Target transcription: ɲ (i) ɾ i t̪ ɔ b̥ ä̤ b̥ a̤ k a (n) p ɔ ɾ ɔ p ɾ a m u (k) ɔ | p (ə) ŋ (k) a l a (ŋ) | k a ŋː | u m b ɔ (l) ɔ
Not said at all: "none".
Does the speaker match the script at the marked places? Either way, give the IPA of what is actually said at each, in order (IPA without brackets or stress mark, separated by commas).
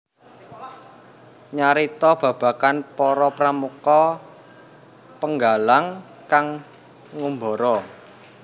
a, n, k, ə, ɡ, ŋ, ɾ